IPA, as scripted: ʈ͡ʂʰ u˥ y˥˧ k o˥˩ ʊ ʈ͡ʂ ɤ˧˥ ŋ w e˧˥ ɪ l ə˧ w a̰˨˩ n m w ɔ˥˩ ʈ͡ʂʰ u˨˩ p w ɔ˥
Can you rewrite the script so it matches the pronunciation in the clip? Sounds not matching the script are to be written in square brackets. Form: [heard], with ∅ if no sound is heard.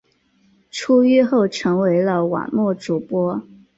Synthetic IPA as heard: ʈ͡ʂʰ u˥ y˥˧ [x] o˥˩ ʊ [ʈ͡ʂʰ] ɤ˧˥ ŋ w e˧˥ ɪ l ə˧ w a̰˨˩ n m w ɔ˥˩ [ʈ͡ʂ] u˨˩ p w ɔ˥